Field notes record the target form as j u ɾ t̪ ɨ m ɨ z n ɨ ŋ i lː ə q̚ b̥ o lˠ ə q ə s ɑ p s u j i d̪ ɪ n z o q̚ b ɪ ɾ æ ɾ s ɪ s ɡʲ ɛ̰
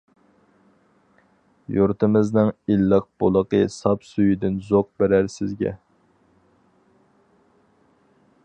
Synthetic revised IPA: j u ɾ t̪ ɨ m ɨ z n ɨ ŋ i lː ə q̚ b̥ o lˠ ə q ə s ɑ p s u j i d̪ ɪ n z o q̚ b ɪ ɾ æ ɾ s ɪ z ɡʲ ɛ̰